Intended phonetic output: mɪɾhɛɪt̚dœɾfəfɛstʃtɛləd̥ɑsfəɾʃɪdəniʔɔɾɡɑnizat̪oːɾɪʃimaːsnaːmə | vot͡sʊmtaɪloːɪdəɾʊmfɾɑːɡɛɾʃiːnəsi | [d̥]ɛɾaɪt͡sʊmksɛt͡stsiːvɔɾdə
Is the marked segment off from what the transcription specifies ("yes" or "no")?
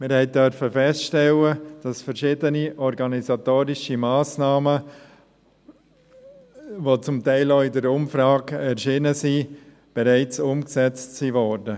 yes